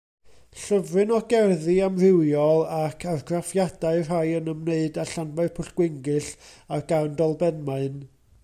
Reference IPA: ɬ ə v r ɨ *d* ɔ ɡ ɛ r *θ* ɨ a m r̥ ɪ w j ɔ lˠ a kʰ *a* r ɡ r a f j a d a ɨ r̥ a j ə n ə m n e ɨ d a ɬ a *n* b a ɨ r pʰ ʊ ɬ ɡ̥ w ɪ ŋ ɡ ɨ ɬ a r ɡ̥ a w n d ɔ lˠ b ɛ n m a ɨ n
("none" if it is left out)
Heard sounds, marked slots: n, ð, a, n

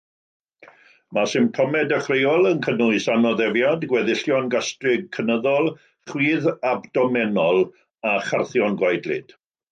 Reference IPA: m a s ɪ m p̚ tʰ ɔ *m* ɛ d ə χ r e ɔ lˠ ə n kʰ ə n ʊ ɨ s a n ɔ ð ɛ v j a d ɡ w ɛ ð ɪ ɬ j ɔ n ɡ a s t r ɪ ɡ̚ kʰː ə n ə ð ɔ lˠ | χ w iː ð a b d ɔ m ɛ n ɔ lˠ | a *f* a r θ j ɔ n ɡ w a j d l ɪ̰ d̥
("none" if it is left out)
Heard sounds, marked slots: m, χ

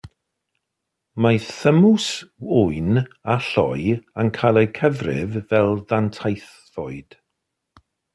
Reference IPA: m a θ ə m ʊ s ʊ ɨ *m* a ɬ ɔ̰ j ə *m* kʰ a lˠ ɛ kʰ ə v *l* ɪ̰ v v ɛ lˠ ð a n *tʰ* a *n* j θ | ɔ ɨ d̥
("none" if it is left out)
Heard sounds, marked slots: n, n, r, tʰ, none

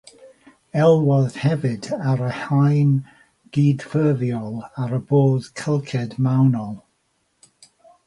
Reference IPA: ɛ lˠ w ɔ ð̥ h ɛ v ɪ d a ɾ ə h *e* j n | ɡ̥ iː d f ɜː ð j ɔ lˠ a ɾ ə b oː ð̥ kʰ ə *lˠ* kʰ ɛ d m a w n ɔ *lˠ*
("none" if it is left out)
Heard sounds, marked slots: a, lˠ, lˠ

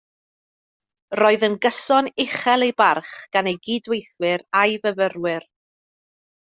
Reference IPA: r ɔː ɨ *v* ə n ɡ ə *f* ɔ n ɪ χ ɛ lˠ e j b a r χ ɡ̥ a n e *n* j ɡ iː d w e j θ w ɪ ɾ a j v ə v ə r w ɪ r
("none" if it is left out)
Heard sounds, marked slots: ð, s, none

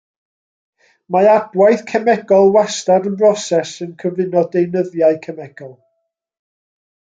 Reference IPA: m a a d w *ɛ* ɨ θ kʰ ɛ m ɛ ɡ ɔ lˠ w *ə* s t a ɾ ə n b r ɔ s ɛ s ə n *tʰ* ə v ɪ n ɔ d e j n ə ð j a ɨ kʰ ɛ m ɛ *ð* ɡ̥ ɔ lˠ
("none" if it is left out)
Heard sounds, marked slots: a, a, kʰ, none

